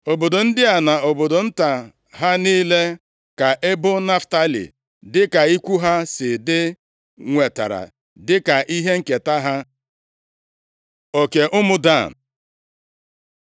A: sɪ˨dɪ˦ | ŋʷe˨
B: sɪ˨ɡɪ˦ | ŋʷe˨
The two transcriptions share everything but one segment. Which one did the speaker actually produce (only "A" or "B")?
A